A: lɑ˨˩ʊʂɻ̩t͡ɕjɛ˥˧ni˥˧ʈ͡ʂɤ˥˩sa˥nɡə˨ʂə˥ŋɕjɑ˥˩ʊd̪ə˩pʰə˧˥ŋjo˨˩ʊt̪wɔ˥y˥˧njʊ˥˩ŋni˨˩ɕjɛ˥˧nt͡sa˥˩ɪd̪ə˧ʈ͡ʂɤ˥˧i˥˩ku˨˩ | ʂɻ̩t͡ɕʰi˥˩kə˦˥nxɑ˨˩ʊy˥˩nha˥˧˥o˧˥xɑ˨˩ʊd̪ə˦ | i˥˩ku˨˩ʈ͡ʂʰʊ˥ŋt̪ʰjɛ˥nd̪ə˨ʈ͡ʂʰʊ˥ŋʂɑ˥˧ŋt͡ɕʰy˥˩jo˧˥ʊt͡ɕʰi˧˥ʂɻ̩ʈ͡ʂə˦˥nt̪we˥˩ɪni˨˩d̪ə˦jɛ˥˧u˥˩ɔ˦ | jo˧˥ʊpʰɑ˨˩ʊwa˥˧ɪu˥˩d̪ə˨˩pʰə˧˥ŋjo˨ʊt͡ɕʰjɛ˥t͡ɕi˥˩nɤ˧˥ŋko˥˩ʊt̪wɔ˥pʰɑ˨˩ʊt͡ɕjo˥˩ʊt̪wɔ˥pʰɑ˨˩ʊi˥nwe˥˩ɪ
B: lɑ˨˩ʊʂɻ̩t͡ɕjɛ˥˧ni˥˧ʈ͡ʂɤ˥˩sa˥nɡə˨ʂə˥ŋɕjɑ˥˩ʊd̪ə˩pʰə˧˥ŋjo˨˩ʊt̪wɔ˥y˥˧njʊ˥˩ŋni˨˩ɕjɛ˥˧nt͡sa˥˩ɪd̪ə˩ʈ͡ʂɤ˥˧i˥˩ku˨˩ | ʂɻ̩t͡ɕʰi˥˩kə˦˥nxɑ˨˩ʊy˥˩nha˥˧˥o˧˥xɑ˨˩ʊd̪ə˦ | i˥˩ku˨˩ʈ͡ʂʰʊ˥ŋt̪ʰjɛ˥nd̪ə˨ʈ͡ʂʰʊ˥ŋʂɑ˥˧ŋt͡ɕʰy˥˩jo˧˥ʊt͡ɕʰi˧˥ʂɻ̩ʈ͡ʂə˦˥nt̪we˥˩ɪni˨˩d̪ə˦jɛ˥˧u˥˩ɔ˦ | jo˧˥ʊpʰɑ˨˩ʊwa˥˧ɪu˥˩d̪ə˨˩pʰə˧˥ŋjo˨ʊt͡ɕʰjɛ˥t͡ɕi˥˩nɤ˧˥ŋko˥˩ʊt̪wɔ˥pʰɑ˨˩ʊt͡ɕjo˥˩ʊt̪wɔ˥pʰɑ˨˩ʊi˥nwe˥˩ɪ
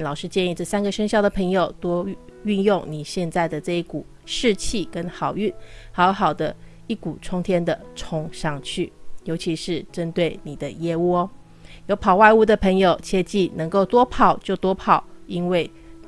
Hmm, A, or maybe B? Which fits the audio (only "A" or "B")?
B